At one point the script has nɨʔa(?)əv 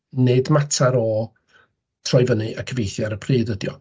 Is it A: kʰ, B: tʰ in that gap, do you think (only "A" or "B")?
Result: A